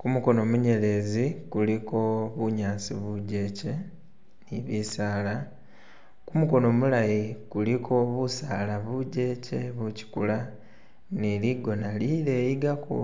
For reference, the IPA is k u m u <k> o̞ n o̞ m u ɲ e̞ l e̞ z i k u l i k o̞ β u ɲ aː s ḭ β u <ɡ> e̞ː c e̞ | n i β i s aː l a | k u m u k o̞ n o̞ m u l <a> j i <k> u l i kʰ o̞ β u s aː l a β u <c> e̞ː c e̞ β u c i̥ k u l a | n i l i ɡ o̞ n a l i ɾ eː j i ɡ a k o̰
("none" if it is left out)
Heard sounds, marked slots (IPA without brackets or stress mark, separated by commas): k, ɟ, a, k, ɟ